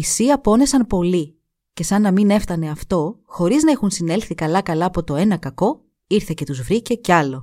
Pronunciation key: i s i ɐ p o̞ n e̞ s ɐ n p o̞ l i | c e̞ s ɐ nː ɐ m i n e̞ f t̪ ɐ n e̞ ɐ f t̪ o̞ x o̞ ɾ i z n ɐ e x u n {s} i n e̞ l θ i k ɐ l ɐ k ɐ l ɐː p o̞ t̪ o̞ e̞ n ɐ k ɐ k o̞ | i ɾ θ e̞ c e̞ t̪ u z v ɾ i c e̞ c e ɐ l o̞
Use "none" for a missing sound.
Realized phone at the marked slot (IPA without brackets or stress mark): s